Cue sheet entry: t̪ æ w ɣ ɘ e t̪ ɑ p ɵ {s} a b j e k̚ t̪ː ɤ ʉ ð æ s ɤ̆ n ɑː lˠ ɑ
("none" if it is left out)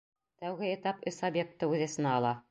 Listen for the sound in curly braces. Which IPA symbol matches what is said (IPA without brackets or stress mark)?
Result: s